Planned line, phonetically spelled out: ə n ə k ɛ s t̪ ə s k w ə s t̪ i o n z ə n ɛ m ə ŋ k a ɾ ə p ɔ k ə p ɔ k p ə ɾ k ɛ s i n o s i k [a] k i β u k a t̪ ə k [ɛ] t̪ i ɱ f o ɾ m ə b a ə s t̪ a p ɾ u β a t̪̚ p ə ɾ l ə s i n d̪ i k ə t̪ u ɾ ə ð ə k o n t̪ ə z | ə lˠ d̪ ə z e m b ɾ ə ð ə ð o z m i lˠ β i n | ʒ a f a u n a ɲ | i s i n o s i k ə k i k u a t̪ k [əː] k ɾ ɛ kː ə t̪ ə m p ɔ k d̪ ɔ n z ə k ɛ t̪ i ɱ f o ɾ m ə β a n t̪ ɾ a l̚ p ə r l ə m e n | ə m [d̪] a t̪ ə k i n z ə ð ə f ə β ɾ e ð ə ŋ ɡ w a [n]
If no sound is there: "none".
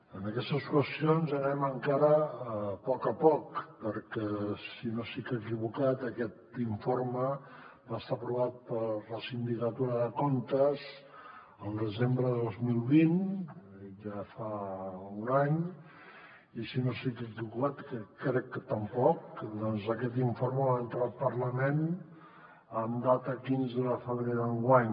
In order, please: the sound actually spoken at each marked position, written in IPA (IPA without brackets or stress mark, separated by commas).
ə, ɛ, ə, d̪, ɲ